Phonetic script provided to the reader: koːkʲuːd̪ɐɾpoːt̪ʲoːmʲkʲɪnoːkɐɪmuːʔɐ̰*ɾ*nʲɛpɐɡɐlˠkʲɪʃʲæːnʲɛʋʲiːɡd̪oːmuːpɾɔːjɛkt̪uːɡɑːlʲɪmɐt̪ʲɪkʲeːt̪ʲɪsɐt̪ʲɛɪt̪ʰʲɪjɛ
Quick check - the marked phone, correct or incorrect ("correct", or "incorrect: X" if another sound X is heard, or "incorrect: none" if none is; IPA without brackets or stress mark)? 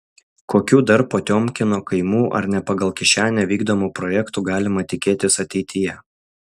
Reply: correct